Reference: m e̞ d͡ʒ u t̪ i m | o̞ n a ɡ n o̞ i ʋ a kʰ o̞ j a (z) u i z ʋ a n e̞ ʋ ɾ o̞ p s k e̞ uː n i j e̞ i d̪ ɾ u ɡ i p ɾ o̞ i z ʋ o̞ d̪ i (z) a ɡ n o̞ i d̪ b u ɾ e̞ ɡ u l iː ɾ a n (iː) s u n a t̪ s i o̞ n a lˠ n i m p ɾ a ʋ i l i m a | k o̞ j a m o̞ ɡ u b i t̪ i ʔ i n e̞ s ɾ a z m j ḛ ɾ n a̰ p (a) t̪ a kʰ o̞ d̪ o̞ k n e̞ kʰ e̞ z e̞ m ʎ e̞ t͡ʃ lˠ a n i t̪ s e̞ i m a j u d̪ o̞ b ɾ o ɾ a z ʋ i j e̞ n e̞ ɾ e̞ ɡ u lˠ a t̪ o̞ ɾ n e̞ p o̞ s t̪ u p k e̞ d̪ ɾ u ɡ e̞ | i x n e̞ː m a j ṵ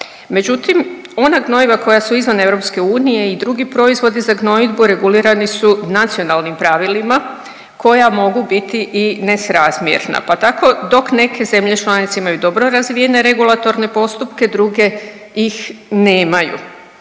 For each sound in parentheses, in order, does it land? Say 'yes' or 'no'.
no, yes, no, yes

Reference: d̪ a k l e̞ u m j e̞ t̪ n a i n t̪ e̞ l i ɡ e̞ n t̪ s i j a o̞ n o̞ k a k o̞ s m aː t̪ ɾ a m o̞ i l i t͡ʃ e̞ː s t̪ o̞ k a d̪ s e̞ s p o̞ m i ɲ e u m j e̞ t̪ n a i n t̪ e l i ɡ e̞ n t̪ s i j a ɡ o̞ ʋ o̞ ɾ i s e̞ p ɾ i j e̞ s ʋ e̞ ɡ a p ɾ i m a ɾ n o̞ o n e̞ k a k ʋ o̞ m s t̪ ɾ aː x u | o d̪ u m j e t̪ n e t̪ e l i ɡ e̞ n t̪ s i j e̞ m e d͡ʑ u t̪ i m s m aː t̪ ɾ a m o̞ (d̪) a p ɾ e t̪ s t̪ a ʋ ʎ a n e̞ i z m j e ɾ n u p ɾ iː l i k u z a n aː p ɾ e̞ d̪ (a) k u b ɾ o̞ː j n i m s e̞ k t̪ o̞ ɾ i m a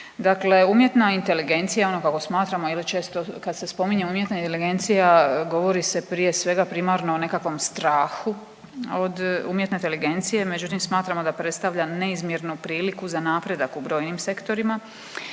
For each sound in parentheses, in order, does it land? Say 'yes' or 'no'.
yes, yes

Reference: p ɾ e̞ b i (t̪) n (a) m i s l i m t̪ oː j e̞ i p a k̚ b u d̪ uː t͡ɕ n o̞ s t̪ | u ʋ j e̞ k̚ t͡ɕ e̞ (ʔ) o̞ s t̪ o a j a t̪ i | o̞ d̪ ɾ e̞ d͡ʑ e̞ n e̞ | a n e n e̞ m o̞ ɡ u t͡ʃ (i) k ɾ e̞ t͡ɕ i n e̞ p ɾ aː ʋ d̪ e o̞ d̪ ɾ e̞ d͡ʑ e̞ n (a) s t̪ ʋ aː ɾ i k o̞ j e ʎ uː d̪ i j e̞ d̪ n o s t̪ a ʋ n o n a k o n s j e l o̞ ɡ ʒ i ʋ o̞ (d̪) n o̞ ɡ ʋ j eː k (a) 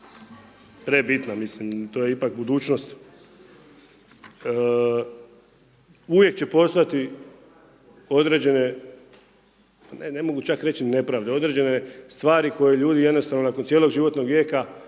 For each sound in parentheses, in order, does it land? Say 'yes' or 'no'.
yes, yes, no, no, no, no, yes

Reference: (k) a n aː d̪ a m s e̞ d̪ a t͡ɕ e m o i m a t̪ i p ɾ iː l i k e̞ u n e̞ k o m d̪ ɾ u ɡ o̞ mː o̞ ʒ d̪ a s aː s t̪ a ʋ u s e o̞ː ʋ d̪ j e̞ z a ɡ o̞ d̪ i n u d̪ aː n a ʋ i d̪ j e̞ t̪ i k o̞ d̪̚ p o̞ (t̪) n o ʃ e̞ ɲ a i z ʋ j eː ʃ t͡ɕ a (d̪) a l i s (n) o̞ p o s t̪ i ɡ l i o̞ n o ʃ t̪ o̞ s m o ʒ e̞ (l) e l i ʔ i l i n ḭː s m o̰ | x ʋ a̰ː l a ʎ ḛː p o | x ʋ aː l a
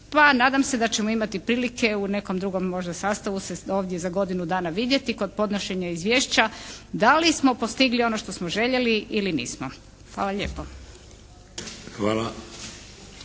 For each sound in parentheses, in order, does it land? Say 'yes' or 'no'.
no, no, yes, no, no

